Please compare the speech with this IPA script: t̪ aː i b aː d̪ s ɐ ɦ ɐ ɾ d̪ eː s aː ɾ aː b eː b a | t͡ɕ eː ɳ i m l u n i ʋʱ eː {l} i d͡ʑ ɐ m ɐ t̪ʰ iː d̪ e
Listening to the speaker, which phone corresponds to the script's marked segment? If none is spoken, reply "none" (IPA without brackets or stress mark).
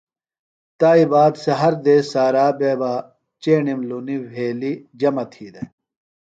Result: l